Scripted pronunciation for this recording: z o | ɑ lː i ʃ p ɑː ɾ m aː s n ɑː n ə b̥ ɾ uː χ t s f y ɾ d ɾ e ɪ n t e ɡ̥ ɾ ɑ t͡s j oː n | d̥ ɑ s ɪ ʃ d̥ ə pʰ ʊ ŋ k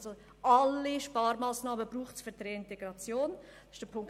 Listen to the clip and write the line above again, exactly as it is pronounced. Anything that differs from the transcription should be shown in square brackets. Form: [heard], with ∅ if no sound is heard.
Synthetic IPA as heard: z o | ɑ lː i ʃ p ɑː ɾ m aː s n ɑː [m] ə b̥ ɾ uː χ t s f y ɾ d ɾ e ɪ n t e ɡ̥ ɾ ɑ t͡s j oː n | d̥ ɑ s ɪ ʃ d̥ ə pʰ ʊ ŋ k

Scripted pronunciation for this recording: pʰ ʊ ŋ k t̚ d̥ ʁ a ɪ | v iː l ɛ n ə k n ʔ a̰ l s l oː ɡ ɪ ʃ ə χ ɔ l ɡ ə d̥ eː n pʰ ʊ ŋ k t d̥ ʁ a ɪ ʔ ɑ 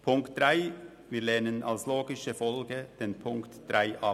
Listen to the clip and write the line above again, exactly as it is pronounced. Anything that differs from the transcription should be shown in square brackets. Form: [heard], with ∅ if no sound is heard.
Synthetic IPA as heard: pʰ ʊ ŋ k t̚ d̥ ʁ a ɪ | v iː l ɛ n ə [∅] n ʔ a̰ l s l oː ɡ ɪ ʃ ə [f] ɔ l ɡ ə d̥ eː n pʰ ʊ ŋ k t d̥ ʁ a ɪ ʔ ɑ

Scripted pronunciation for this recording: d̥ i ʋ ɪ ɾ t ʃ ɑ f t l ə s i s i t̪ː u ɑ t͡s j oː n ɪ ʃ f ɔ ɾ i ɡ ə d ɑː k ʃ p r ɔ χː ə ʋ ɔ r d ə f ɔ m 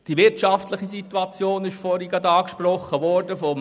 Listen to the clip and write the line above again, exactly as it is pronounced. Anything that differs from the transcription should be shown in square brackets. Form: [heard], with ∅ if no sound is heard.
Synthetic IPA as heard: d̥ i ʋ ɪ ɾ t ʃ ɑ f t l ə [χ] i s i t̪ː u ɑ t͡s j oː n ɪ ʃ f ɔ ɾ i ɡ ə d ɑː k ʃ p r ɔ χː ə ʋ ɔ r d ə f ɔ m

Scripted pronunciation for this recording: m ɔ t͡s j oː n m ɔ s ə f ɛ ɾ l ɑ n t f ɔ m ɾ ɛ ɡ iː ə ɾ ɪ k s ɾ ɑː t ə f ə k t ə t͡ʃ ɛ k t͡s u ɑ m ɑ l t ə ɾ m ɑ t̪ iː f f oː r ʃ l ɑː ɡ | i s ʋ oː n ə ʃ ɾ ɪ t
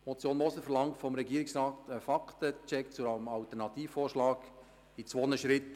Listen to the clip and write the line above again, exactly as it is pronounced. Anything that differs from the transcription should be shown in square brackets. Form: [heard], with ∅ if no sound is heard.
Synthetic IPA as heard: m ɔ t͡s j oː n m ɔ s ə f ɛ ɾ l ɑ [ŋ] t f ɔ m ɾ ɛ ɡ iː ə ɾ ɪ k s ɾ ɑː t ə f [ɑ] k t ə t͡ʃ ɛ k t͡s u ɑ m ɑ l t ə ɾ [n] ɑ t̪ iː f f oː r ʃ l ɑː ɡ | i [t͡s] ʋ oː n ə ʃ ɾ ɪ t

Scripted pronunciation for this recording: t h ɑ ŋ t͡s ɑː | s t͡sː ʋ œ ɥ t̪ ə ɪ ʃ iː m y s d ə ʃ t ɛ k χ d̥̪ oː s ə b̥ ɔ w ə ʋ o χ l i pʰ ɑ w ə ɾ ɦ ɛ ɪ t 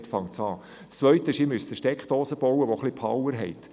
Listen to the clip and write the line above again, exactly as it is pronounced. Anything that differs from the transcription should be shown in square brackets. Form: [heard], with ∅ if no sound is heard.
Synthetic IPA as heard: t [f] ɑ ŋ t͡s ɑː | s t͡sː ʋ œ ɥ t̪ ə ɪ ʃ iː m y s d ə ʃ t ɛ k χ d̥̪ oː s ə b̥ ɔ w ə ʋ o χ l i pʰ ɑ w ə ɾ ɦ ɛ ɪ t

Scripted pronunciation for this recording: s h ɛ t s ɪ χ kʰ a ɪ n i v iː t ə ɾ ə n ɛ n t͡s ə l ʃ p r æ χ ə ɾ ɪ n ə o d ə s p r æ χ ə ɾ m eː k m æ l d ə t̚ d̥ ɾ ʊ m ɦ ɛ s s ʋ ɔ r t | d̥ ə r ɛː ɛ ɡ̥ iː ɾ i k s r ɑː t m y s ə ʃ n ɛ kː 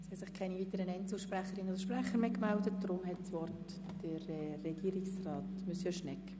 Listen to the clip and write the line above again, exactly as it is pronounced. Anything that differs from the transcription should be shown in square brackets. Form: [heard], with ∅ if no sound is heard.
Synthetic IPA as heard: s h ɛ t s ɪ χ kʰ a ɪ n i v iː t ə ɾ ə n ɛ n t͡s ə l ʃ p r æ χ ə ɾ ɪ n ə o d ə [ʃ] p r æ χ ə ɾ m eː k m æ l d ə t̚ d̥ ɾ ʊ m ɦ ɛ [t] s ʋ ɔ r t | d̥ ə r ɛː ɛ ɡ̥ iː ɾ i k s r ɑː t m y s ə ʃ n ɛ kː

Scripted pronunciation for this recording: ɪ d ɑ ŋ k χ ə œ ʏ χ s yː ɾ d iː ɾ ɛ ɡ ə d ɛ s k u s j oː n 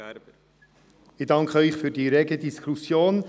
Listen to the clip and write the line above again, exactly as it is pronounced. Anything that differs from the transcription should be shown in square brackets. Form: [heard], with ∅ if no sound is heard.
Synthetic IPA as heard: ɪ d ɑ ŋ k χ ə œ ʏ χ [f] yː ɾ d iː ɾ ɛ ɡ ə d [i] s k u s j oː n

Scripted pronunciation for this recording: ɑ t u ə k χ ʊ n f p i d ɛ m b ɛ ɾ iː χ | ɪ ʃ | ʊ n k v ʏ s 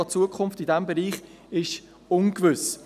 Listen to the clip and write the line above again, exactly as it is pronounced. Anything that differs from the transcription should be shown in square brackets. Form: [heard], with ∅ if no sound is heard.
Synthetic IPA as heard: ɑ [t͡s] u ə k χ ʊ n f [t] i d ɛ m b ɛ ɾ iː χ | ɪ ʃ | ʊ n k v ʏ s

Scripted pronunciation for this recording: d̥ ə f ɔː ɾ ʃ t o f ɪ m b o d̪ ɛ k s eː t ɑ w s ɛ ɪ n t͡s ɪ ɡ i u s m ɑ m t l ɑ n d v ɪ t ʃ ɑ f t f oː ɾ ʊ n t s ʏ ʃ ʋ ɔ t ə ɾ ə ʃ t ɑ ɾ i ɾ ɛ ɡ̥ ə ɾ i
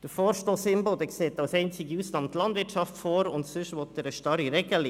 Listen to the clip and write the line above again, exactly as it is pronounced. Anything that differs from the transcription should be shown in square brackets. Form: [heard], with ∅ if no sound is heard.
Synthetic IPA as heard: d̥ ə f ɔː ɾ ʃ t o [s] ɪ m b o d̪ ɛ k s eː t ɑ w s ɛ ɪ n t͡s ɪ ɡ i u s [n] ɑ m t l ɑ n d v ɪ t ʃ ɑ f t f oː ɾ ʊ n t s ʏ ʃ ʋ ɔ t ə ɾ ə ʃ t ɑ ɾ i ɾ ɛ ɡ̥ ə [l] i

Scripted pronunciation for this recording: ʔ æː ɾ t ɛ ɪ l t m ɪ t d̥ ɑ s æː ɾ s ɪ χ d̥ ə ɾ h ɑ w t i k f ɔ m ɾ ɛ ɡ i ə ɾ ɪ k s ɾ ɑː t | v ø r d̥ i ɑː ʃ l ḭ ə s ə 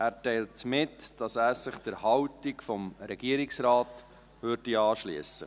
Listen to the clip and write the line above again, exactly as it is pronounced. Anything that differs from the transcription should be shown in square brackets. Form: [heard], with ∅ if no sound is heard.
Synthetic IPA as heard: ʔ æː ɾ t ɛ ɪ l t m ɪ t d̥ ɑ s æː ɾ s ɪ χ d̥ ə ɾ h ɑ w t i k f ɔ m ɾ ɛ ɡ i ə ɾ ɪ k s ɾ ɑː t | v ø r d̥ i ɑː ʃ l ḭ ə s ə

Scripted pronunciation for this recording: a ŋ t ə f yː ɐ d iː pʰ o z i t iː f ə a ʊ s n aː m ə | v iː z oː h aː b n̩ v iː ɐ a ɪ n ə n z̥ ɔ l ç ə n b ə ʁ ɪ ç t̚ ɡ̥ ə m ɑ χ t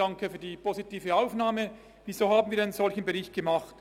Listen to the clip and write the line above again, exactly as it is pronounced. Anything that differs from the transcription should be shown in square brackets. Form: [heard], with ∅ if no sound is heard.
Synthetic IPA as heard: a ŋ [k] ə f yː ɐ d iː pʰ o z i t iː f ə a ʊ [f] n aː m ə | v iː z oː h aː b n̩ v iː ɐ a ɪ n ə n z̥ ɔ l ç ə n b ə ʁ ɪ ç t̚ ɡ̥ ə m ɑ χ t

